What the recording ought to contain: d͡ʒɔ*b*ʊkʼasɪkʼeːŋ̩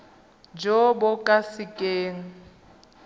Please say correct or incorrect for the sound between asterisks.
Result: correct